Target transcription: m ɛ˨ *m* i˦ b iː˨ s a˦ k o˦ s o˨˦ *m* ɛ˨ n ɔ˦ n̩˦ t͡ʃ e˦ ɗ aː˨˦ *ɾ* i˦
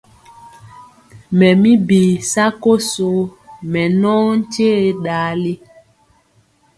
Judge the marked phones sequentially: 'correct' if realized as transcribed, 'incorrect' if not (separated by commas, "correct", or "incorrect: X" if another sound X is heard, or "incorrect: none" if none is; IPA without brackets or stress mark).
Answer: correct, correct, incorrect: l